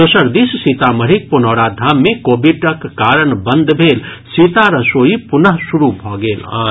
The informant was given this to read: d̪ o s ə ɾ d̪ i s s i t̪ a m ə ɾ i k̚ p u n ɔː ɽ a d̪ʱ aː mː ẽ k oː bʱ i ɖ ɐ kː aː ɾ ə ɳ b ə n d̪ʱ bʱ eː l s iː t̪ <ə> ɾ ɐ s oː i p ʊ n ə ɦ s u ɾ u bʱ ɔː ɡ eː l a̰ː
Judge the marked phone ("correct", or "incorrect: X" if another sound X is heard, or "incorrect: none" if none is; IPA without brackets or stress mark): incorrect: a